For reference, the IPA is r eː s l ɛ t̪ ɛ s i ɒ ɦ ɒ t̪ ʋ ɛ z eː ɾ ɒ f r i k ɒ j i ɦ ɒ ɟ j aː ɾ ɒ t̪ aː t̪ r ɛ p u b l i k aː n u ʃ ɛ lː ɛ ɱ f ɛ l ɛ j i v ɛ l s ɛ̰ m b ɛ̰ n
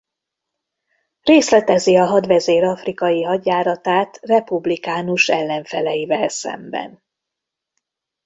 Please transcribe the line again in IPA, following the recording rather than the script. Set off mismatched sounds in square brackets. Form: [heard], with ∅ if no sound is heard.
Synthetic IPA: r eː s l ɛ t̪ ɛ [z] i ɒ ɦ ɒ [d̪] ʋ ɛ z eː ɾ ɒ f r i k ɒ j i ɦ ɒ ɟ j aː ɾ ɒ t̪ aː t̪ r ɛ p u b l i k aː n u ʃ ɛ lː ɛ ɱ f ɛ l ɛ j i v ɛ l s ɛ̰ m b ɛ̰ n